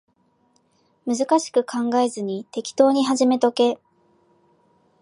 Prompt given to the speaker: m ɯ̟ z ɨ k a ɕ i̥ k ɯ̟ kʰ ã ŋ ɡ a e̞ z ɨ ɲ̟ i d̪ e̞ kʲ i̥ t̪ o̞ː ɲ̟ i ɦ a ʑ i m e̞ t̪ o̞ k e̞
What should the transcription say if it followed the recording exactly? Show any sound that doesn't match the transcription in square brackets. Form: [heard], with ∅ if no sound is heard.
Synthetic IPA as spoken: m ɯ̟ z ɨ k a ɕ i̥ k ɯ̟ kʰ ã ŋ ɡ a e̞ z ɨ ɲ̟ i [t̪] e̞ kʲ i̥ t̪ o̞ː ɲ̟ i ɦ a ʑ i m e̞ t̪ o̞ k e̞